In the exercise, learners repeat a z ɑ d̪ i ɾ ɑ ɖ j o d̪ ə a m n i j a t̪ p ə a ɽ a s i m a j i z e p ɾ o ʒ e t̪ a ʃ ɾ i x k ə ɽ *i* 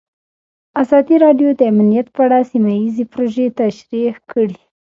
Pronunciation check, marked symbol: correct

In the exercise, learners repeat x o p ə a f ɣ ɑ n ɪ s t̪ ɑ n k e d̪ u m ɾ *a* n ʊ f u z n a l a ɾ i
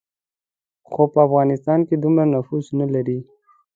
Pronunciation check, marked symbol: correct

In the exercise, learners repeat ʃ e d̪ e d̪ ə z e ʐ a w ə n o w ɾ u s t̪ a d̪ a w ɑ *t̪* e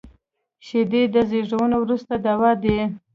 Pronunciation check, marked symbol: incorrect: d̪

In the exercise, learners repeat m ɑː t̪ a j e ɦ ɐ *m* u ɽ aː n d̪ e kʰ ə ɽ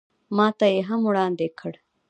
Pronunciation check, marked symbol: correct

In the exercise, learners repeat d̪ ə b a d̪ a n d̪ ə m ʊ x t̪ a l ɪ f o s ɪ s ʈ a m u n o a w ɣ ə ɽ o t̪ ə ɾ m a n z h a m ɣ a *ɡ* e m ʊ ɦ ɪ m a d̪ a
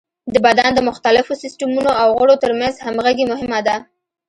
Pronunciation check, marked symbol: correct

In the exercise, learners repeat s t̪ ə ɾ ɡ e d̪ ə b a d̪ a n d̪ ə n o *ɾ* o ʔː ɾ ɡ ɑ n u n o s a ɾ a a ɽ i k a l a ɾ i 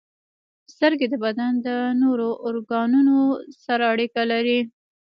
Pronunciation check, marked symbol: correct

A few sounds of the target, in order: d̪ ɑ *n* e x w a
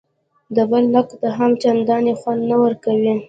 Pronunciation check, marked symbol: correct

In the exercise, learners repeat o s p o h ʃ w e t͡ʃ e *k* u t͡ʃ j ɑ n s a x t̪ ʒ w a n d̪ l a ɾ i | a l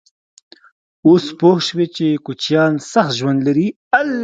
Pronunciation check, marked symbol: correct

